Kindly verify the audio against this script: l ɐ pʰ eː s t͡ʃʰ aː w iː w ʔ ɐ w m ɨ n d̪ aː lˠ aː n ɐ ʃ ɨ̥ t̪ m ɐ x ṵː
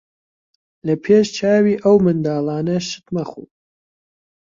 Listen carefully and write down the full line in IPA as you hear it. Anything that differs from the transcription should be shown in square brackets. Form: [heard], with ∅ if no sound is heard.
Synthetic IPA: l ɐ pʰ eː [ʃ] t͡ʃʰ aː w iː [∅] ʔ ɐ w m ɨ n d̪ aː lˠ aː n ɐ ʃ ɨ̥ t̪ m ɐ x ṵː